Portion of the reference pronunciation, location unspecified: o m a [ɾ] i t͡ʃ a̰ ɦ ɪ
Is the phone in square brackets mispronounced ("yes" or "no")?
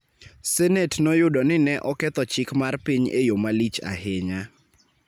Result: yes